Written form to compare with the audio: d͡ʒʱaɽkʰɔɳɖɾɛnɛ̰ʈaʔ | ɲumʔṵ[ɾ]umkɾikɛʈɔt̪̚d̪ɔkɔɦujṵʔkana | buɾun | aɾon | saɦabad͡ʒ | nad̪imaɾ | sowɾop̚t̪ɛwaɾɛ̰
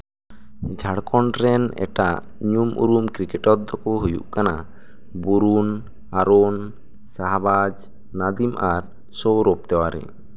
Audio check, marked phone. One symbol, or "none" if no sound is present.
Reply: ɾ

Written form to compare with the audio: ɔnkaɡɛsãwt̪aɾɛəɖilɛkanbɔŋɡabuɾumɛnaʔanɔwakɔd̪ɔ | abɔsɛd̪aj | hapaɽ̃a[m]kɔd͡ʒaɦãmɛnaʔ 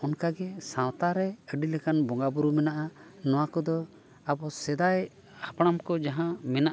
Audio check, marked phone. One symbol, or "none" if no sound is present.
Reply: m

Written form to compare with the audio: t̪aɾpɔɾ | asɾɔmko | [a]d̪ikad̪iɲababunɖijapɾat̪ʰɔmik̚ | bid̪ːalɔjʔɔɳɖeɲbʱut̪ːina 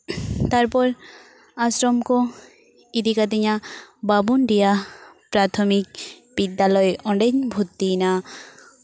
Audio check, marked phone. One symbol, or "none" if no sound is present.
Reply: i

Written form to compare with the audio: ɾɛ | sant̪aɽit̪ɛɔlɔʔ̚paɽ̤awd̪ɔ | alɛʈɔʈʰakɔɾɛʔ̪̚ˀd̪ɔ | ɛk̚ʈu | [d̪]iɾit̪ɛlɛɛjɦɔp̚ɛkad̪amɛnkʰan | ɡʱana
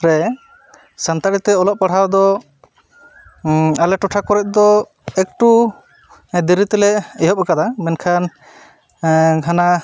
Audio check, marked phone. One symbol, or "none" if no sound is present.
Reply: d̪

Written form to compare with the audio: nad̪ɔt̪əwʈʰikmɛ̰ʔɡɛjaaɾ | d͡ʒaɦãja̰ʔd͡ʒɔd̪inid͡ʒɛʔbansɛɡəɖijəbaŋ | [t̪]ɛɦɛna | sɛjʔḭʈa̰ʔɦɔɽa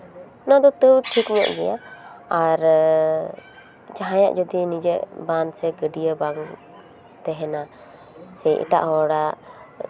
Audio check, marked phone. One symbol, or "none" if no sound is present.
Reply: t̪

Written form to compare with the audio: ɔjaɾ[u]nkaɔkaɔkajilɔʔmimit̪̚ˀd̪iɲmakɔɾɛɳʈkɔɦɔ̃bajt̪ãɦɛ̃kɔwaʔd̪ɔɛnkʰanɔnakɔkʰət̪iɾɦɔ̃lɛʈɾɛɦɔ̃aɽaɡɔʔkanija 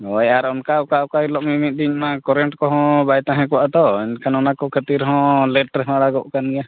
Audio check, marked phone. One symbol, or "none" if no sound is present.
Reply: ɔ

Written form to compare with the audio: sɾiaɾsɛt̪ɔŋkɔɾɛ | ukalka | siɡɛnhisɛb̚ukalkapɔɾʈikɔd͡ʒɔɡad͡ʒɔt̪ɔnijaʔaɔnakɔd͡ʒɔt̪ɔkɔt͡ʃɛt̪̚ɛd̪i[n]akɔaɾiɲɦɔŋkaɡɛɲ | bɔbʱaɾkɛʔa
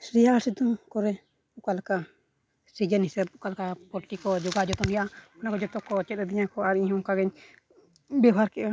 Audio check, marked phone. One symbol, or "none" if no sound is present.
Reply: ɲ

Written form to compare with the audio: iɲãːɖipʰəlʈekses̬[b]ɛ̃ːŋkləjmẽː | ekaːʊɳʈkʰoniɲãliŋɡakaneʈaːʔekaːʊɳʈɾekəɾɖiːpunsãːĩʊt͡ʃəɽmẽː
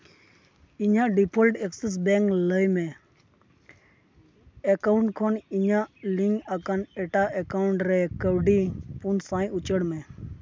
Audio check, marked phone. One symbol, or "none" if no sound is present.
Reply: b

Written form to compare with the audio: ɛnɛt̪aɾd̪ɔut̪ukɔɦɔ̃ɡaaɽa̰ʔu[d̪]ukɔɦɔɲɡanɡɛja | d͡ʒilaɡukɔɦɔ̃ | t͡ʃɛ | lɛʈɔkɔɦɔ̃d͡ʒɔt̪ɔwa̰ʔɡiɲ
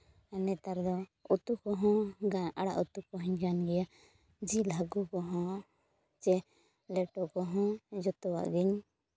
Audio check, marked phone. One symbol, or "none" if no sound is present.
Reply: t̪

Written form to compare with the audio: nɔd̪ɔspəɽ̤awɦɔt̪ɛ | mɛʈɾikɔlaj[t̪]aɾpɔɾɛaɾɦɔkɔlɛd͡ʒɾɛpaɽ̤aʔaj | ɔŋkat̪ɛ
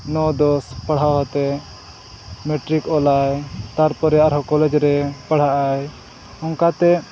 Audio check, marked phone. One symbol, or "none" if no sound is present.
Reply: t̪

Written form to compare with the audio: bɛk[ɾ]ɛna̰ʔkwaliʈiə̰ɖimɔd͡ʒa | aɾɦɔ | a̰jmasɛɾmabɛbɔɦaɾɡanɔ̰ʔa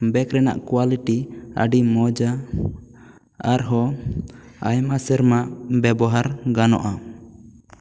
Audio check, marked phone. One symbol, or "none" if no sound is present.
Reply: ɾ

